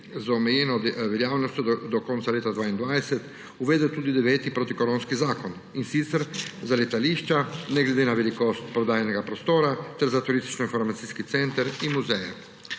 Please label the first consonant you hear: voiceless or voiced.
voiced